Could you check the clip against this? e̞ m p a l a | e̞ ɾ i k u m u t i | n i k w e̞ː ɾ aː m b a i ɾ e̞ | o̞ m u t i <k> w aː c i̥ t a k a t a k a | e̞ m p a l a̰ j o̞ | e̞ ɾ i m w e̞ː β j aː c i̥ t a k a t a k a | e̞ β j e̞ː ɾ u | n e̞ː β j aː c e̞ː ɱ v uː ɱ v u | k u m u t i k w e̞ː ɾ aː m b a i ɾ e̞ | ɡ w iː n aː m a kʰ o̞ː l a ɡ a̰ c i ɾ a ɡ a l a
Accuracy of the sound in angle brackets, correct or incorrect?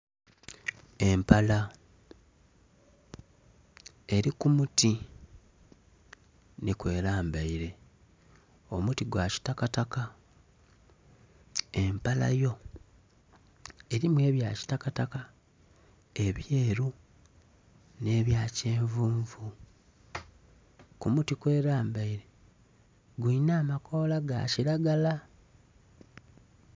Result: incorrect